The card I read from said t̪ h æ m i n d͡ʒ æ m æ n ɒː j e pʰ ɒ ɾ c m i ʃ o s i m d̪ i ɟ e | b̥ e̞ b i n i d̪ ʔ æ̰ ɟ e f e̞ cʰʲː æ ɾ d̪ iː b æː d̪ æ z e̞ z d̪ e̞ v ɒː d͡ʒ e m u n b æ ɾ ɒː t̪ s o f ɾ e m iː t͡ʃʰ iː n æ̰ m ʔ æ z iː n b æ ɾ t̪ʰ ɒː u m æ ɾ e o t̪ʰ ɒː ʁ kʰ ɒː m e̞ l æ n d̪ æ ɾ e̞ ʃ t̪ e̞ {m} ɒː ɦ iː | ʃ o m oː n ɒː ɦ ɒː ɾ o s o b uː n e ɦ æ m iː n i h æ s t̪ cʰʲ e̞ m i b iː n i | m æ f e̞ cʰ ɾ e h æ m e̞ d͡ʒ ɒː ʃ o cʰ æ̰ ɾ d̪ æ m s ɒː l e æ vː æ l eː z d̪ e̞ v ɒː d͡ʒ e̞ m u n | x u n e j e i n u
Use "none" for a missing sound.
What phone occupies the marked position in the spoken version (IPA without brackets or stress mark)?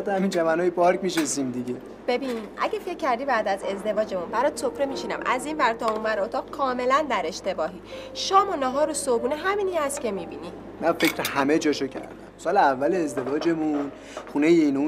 b